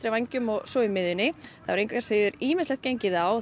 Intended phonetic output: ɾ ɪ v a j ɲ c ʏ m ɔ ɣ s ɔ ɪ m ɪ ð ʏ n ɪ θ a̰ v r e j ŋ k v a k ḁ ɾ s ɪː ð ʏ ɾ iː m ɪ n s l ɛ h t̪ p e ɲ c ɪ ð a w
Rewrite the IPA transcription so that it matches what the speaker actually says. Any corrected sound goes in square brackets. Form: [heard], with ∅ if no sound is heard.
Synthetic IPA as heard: ɾ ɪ v a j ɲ c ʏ m ɔ ɣ s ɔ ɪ m ɪ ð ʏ n ɪ θ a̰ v [ɾ] e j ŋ k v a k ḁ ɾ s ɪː ð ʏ ɾ iː m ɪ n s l ɛ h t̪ [c] e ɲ c ɪ ð a w